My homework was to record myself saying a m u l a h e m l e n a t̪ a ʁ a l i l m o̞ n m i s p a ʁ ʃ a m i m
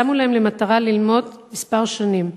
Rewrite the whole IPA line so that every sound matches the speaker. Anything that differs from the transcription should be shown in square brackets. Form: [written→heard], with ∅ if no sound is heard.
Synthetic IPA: a m u l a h e m l e [n→m] a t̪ a ʁ a l i l m o̞ [n→d] m i s p a ʁ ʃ a [m→n] i m

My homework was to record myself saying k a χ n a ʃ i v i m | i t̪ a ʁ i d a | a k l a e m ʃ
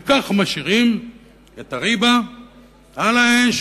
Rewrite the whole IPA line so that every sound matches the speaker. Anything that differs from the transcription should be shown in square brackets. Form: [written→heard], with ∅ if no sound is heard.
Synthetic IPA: k a χ [n→m] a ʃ i [v→ʁ] i m | [i→e] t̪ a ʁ i [d→b] a | a [k→∅] l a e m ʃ

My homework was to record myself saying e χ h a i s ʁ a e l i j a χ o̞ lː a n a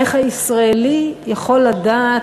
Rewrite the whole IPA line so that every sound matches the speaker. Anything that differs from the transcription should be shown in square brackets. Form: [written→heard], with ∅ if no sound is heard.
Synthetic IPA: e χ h a i s ʁ a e l i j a χ o̞ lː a [n→d] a

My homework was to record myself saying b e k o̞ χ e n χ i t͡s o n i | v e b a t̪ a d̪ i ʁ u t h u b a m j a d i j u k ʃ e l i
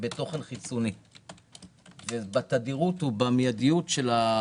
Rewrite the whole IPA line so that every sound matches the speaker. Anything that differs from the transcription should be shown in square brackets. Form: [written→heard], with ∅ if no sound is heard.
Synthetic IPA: b e [k→t] o̞ χ e n χ i t͡s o n i | v e b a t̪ a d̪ i ʁ u t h u b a m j a d i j u [k→t] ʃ e l [i→a]

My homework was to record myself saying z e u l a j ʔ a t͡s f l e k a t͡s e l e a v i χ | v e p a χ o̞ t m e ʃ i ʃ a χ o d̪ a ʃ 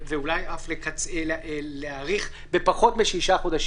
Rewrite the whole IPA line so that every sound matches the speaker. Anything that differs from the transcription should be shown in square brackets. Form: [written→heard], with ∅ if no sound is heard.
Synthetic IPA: [z→v] e u l a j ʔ a [t͡s→∅] f l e k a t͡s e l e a [v→ʁ] i χ | [v→b] e p a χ o̞ t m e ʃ i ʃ a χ o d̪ a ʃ

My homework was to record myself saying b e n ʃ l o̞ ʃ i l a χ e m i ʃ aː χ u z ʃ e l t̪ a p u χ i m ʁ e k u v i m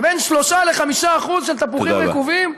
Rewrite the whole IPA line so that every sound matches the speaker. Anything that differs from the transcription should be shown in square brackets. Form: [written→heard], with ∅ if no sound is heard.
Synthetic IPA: b e n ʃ l o̞ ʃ [i→a] l [a→e] χ [e→a] m i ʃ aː χ u z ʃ e l t̪ a p u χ i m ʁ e k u v i m

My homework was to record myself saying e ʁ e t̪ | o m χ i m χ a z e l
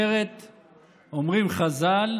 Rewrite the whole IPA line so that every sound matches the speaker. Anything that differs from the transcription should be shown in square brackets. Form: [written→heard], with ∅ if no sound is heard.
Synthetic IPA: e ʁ e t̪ | o m [χ→ʁ] i m χ a z [e→a] l

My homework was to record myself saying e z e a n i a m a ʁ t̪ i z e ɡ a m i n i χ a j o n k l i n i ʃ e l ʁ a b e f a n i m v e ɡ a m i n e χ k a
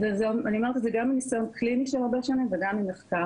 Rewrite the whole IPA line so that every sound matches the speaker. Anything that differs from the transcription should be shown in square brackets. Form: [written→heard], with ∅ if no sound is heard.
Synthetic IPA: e z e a n i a m a ʁ t̪ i z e ɡ a m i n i [χ→s] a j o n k l i n i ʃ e l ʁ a b e [f→ʃ] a n i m v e ɡ a m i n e χ k a

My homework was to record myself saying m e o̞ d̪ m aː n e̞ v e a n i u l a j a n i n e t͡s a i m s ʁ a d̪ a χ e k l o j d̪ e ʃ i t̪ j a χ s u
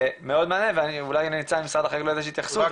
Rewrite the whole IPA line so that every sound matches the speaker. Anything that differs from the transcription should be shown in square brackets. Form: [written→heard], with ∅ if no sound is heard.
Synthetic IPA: m e o̞ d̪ m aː n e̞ v e a n i u l a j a n i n [e→i] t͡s a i m s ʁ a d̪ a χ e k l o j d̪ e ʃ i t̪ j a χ s u

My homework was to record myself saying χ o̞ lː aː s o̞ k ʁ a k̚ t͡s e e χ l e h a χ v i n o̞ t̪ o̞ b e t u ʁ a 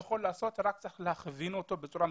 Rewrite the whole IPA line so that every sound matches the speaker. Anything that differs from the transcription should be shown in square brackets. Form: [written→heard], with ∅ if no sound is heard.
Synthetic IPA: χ o̞ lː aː s o̞ [k→t] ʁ a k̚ t͡s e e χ l e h a χ v i n o̞ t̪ o̞ b e [t→t͡s] u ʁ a

